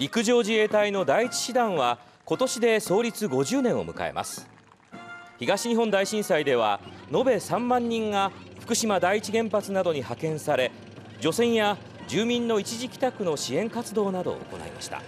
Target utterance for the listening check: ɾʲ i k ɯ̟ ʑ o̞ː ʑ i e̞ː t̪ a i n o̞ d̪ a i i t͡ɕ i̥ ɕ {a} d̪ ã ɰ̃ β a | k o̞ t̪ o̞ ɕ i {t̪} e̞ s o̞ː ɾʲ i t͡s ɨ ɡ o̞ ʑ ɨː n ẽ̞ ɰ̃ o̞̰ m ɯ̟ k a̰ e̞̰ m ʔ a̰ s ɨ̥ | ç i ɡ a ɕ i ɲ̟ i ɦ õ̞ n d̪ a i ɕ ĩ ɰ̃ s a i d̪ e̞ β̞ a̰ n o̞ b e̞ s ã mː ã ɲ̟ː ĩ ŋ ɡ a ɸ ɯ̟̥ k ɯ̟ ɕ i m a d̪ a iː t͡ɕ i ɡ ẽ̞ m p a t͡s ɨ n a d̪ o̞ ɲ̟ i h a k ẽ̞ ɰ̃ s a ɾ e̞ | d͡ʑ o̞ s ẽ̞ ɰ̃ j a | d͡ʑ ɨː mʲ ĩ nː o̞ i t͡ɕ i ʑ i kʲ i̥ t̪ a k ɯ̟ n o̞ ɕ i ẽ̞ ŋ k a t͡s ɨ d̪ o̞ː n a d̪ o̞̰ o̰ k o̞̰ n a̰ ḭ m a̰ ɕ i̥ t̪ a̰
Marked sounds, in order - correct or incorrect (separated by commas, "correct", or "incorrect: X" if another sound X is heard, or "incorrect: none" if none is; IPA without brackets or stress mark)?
incorrect: i, incorrect: d̪